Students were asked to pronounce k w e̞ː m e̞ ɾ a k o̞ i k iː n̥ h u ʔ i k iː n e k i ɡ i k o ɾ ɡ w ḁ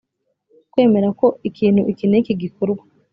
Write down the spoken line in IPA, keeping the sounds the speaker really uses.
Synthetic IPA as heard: k w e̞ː m e̞ ɾ a k o̞ i k iː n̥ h u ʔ i k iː n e k i ɡ i k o ɾ ɡ w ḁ